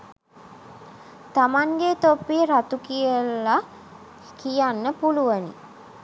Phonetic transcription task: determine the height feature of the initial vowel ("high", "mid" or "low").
low